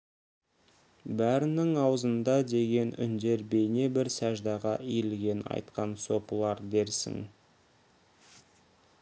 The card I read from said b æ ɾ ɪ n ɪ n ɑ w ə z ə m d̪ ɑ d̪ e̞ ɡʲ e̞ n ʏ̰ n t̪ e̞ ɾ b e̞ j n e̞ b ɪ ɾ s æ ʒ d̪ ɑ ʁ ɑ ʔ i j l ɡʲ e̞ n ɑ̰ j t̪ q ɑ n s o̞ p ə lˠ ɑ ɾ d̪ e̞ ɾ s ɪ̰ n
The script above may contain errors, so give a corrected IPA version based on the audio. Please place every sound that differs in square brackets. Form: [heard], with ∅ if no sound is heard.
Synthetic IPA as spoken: b æ ɾ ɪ n ɪ [ŋ] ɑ w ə z ə [n] d̪ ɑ d̪ e̞ ɡʲ e̞ n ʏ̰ n [d̪] e̞ ɾ b e̞ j n e̞ b ɪ ɾ s æ ʒ d̪ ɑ ʁ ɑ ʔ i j l ɡʲ e̞ n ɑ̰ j t̪ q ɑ n s o̞ p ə lˠ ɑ ɾ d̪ e̞ ɾ s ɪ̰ [ŋ]